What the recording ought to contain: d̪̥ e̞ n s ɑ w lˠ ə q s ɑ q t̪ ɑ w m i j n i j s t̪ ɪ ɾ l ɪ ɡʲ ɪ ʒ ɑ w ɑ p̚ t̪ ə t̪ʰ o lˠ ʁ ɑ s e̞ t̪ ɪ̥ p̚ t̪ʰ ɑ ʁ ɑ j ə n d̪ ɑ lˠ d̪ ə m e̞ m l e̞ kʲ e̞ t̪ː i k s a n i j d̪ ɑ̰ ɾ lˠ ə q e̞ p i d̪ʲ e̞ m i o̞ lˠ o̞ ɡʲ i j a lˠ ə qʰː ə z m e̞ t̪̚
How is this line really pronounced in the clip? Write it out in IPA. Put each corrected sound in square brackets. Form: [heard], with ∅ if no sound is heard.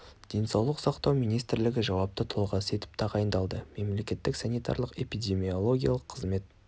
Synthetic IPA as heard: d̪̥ e̞ n s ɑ w lˠ ə q s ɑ q t̪ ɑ w m i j n i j s t̪ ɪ ɾ l ɪ ɡʲ ɪ ʒ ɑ w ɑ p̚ t̪ ə t̪ʰ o lˠ ʁ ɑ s e̞ t̪ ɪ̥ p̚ t̪ʰ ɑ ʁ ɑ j ə n d̪ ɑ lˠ d̪ ə m e̞ m l e̞ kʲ e̞ t̪ː [ɪ] k s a n i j [t̪] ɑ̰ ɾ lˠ ə q e̞ p i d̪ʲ e̞ m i o̞ lˠ o̞ ɡʲ i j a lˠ ə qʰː ə z m e̞ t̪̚